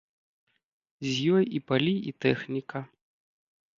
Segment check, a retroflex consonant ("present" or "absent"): absent